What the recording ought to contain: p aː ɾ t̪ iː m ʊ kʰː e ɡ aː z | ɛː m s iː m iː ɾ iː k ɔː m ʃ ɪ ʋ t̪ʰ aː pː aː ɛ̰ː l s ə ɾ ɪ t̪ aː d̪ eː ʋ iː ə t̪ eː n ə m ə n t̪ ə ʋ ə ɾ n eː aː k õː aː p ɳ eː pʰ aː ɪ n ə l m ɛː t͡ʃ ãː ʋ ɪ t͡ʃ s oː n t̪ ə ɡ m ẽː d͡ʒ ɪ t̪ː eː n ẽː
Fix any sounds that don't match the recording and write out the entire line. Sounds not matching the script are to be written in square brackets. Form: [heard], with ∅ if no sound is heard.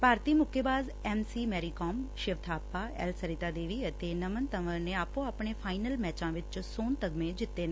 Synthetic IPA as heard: p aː ɾ t̪ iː m ʊ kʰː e [b] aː z | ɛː m s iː m [ɛː] ɾ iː k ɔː m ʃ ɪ ʋ t̪ʰ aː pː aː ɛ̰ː l s ə ɾ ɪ t̪ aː d̪ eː ʋ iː ə t̪ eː n ə m ə n t̪ ə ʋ ə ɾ n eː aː [p] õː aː p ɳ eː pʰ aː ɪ n ə l m ɛː t͡ʃ ãː ʋ ɪ t͡ʃ s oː n t̪ ə ɡ m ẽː d͡ʒ ɪ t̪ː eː n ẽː